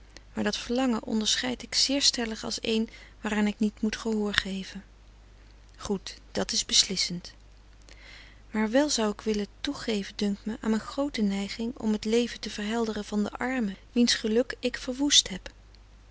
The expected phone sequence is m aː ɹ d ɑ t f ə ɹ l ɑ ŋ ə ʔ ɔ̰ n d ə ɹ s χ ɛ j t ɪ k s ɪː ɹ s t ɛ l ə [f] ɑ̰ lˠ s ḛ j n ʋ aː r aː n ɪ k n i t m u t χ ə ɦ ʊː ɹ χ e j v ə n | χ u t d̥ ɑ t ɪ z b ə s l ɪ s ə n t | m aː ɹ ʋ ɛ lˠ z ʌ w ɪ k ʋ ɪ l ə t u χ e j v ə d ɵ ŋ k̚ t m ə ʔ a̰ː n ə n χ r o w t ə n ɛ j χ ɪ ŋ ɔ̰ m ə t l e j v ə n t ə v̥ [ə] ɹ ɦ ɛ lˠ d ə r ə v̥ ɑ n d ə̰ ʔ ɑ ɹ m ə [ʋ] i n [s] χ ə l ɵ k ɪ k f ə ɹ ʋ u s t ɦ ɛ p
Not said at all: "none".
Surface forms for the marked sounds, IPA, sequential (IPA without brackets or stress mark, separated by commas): χ, ə, ʋ, s